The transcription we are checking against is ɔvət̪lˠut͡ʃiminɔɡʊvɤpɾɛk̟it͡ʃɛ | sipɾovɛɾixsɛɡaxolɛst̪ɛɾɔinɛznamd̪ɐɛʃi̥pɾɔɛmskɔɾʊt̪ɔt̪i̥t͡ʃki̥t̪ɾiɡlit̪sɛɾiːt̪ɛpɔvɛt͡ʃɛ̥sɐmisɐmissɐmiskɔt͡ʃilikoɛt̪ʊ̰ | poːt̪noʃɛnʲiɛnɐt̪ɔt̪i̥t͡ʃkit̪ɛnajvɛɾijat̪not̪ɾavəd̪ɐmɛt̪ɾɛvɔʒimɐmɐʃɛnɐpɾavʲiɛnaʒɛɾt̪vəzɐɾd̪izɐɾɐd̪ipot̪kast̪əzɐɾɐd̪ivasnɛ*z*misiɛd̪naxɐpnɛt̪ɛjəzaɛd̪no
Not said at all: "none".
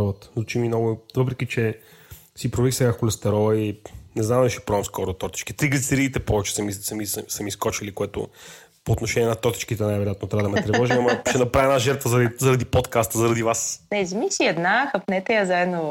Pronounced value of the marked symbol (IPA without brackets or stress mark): z